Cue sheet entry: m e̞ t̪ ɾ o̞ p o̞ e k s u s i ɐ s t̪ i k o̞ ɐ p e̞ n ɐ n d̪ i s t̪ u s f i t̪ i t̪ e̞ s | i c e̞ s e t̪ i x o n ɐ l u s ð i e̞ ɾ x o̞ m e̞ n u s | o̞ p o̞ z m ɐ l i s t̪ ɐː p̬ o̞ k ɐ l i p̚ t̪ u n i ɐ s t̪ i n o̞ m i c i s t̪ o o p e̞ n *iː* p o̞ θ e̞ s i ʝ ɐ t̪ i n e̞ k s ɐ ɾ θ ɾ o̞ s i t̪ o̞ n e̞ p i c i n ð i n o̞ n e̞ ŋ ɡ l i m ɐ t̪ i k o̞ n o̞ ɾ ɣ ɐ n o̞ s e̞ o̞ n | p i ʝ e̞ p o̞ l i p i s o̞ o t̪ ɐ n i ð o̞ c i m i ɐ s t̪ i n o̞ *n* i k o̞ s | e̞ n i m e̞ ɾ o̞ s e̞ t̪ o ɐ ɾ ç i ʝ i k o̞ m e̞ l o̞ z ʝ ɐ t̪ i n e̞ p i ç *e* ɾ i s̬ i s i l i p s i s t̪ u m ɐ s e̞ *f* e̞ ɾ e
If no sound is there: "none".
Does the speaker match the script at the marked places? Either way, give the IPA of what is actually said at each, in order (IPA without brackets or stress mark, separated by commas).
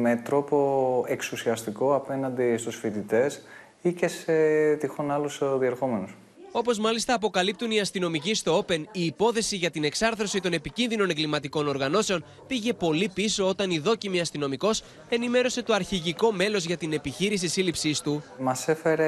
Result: iː, m, i, f